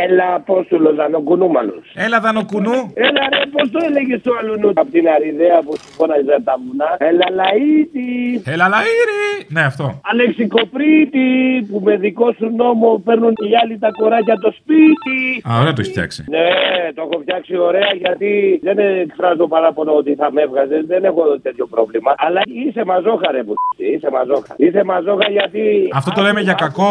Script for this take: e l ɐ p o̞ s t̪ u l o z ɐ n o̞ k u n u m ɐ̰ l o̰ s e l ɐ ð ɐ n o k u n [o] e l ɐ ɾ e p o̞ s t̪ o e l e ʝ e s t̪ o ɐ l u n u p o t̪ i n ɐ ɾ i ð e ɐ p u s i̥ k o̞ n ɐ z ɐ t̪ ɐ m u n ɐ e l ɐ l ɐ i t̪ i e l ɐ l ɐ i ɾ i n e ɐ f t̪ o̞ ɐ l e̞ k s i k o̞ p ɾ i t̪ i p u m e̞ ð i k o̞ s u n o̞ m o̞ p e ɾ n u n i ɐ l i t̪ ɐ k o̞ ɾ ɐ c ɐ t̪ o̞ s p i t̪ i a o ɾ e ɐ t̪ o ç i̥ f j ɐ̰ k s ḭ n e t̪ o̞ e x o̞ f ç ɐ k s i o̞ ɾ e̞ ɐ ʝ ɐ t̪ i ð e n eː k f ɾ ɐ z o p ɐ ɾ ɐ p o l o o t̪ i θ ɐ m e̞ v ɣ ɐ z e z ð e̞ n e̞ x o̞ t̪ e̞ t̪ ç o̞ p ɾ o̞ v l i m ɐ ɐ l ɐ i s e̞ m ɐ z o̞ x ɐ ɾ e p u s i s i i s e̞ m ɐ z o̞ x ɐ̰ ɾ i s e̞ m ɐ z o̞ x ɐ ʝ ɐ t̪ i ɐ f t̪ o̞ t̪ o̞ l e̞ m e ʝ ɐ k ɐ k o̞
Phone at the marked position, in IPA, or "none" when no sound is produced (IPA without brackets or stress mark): u